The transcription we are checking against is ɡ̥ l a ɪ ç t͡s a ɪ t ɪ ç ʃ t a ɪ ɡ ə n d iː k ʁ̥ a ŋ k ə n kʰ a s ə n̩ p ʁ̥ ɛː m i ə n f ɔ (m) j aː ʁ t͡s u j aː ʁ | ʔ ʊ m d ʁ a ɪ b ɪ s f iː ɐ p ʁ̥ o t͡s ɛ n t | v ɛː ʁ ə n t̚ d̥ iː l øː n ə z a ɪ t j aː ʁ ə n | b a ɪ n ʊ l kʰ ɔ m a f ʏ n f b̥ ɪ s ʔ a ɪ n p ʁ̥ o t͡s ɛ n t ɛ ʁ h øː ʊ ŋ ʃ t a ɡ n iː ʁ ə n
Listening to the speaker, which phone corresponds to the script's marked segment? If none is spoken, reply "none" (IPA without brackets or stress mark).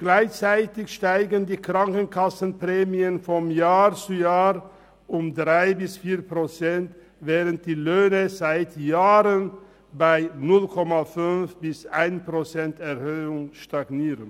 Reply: m